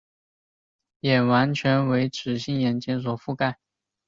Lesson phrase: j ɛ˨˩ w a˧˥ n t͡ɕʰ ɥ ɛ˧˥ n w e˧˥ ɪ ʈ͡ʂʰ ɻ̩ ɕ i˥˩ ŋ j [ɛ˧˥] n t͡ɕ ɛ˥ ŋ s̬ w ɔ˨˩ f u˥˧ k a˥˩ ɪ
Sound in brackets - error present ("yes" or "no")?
yes